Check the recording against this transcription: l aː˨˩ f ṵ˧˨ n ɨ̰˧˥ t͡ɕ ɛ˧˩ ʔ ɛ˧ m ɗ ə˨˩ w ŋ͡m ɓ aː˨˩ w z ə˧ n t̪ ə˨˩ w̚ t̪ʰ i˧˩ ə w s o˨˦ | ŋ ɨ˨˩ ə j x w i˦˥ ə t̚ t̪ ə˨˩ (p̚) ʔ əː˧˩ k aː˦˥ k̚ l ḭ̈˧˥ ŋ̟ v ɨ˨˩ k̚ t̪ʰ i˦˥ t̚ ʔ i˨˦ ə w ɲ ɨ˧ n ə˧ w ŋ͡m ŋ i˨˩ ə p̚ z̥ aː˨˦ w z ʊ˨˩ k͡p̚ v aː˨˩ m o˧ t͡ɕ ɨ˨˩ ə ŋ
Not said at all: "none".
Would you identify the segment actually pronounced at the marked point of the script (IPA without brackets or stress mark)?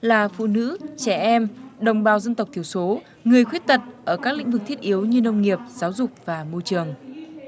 t̚